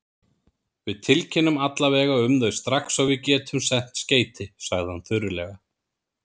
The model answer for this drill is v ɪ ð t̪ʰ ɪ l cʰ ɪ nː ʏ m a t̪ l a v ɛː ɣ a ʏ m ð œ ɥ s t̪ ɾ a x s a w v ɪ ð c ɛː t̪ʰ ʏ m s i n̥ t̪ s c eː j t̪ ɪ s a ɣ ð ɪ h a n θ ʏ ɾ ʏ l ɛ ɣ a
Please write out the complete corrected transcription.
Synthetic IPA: v ɪ ð t̪ʰ ɪ l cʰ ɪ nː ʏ m a t̪ l a v ɛː ɣ a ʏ m ð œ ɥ s t̪ ɾ a x s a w v ɪ ð c ɛː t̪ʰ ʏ m s ɛ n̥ t̪ s c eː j t̪ ɪ s a ɣ ð ɪ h a n θ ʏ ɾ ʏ l ɛ ɣ a